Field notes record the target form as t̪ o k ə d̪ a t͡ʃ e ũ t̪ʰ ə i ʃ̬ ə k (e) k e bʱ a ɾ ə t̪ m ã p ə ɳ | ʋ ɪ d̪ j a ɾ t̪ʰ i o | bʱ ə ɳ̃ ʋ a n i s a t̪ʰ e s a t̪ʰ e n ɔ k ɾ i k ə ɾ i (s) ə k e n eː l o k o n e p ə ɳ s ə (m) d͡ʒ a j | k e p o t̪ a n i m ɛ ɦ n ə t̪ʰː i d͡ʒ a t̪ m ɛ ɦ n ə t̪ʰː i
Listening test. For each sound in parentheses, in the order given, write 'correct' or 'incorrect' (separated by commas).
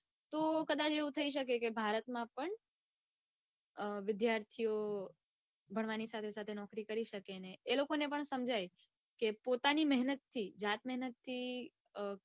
correct, incorrect, correct